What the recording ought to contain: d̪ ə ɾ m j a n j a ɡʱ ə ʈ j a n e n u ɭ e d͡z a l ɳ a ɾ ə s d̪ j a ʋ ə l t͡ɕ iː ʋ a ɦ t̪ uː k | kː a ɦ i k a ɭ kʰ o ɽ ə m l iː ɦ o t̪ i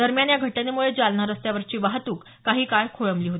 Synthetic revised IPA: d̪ ə ɾ m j a n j a ɡʱ ə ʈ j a n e m u ɭ e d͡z a l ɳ a ɾ ə s t̪ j a ʋ ə ɾ t͡ɕ iː ʋ a ɦ t̪ uː k | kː a ɦ iː k a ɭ kʰ o ɭ ə m l iː ɦ o t̪ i